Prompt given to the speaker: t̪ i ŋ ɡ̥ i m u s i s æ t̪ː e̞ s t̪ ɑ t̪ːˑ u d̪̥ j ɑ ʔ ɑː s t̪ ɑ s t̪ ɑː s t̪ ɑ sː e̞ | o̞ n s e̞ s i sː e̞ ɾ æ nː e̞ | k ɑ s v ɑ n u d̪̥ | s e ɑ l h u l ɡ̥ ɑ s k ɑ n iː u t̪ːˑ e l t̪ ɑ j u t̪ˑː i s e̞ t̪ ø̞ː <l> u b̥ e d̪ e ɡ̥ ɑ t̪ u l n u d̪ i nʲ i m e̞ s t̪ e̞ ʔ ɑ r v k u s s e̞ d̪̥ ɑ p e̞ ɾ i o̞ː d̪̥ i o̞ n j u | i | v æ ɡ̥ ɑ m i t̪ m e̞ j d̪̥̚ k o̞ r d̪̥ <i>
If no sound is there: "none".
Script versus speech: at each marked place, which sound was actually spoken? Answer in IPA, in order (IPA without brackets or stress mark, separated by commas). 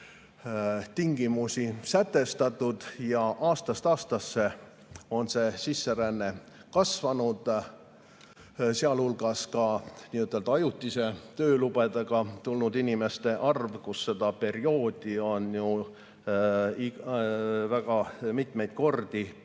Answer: l, i